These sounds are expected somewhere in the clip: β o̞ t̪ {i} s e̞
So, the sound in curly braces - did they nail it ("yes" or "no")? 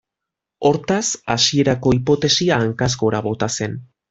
no